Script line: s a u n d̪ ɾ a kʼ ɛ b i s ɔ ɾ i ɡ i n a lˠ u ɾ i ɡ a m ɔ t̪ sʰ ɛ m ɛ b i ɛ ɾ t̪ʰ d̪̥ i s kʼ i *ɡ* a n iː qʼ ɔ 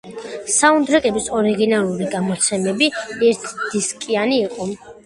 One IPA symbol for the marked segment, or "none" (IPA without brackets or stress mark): none